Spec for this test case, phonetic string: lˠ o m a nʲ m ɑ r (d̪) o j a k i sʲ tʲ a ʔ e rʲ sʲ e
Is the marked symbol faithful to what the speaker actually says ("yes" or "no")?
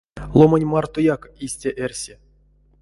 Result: no